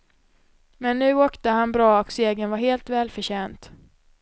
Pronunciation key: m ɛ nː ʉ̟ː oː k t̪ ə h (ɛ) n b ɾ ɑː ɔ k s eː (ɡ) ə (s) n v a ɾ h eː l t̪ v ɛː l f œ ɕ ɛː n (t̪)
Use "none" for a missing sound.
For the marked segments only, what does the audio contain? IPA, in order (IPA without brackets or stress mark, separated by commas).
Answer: a, ɡ, none, t̪